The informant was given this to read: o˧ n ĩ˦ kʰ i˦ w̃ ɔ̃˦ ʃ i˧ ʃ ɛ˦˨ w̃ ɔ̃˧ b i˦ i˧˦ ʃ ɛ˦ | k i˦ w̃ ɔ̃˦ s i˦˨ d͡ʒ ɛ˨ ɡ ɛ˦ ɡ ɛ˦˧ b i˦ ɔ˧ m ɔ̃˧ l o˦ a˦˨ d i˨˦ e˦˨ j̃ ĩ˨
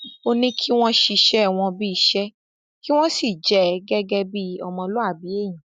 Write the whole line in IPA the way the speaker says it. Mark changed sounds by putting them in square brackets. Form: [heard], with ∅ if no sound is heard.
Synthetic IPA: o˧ n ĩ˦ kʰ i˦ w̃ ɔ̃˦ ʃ i˧ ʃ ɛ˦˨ w̃ ɔ̃˧ b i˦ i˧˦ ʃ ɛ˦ | k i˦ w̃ ɔ̃˦ s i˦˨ d͡ʒ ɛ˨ ɡ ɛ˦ ɡ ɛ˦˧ b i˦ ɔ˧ m ɔ̃˧ l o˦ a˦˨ [b] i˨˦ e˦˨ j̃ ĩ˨